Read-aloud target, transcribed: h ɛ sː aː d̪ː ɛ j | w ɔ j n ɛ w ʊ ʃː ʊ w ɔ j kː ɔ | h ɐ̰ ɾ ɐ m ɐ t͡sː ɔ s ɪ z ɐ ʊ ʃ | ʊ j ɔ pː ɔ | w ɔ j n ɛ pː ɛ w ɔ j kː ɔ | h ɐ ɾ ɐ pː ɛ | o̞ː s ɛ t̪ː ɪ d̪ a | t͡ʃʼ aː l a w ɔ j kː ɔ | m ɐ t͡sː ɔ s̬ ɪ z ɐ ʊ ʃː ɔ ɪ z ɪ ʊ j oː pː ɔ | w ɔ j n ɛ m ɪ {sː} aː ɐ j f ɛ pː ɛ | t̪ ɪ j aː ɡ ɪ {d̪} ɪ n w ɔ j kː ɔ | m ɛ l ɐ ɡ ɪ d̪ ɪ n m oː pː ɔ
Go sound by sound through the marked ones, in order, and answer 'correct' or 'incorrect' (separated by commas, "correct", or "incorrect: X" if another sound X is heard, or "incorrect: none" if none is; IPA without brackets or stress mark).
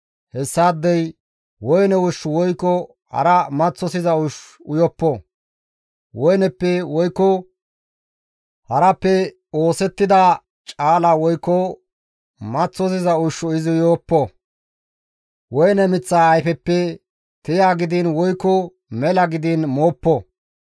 incorrect: t͡sː, correct